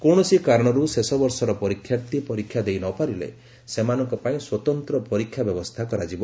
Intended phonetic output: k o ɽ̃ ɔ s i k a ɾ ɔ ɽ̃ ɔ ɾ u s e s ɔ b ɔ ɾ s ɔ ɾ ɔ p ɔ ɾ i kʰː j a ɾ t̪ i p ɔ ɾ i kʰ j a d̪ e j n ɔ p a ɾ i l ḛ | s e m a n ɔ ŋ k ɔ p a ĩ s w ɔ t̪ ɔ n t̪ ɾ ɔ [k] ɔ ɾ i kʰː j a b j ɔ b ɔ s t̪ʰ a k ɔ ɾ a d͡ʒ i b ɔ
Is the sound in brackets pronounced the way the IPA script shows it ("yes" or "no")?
no